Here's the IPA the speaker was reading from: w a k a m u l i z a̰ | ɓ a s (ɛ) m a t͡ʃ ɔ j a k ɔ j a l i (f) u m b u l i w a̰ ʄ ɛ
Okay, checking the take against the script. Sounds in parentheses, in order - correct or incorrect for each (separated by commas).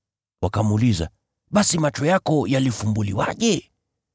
incorrect, correct